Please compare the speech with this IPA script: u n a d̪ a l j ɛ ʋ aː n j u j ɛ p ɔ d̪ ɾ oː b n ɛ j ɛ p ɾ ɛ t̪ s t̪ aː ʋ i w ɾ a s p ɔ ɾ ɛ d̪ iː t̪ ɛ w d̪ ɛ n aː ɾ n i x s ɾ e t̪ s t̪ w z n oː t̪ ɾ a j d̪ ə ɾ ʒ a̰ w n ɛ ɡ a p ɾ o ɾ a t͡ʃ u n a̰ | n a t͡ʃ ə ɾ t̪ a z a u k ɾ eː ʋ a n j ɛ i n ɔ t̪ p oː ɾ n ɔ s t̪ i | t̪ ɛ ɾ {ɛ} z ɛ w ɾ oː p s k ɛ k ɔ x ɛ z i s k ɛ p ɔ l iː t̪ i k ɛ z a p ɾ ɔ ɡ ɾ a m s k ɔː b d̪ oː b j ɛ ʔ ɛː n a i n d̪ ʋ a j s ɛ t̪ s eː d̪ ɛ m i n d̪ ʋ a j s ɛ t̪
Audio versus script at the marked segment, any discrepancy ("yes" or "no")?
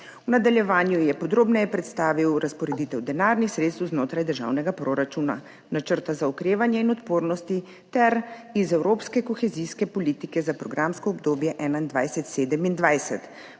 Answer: yes